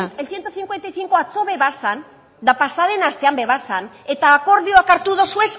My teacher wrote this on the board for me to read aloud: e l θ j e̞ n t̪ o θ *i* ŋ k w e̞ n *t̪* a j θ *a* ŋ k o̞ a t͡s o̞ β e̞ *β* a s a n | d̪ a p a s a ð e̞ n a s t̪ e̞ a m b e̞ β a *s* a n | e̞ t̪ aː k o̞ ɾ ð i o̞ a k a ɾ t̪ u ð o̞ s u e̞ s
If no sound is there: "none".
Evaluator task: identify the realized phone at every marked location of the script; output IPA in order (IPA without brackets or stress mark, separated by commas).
i, t̪, i, β, s